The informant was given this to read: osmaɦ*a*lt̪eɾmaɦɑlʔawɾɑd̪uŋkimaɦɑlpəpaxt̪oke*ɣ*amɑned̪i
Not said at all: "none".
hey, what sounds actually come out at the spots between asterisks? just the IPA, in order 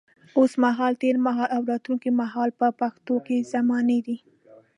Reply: ɑ, z

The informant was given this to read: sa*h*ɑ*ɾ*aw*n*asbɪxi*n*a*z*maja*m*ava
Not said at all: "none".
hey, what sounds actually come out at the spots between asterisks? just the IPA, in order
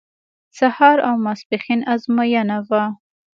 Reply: h, ɾ, m, n, z, n

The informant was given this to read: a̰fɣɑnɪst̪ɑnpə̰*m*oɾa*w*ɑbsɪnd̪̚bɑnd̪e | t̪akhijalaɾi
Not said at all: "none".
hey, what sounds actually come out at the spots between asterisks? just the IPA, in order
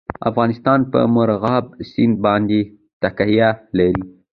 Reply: m, ɣ

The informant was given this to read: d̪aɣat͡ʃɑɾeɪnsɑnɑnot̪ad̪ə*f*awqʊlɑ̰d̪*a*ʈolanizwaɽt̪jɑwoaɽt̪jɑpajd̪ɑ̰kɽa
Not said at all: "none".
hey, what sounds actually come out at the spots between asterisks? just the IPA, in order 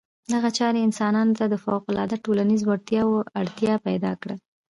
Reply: f, a

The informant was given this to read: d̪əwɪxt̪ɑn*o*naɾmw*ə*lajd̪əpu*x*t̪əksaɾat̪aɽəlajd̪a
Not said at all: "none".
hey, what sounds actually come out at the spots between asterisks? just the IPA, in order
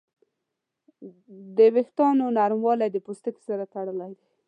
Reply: o, ɑ, s

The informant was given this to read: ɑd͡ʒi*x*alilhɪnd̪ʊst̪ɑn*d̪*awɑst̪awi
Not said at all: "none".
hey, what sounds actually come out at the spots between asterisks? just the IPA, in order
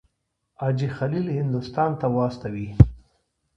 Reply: x, t̪

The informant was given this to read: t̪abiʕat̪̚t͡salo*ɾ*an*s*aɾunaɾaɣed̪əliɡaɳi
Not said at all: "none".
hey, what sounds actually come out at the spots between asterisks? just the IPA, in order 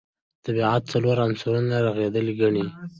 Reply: ɾ, s

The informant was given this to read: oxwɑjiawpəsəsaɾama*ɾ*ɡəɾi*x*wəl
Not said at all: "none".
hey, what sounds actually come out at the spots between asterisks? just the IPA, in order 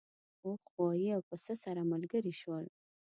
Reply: l, ʃ

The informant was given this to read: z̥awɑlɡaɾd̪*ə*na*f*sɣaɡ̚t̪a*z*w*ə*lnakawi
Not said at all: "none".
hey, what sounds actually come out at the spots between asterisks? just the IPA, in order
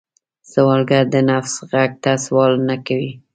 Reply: ə, f, s, ɑ

